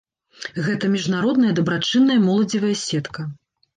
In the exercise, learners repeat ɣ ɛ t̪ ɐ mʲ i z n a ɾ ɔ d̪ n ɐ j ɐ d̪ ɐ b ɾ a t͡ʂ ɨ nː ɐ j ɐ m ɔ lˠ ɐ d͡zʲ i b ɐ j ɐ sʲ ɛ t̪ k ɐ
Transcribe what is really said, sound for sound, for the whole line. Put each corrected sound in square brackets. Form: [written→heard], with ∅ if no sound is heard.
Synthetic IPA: ɣ ɛ t̪ ɐ mʲ i [z→ʐ] n a ɾ ɔ d̪ n ɐ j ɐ d̪ ɐ b ɾ a t͡ʂ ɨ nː ɐ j ɐ m ɔ lˠ ɐ d͡zʲ i [b→v] ɐ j ɐ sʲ ɛ t̪ k ɐ